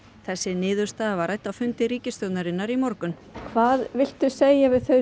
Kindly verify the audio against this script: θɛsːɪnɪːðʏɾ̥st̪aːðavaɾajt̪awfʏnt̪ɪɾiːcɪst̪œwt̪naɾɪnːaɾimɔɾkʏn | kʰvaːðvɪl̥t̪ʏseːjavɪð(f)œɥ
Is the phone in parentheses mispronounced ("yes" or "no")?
yes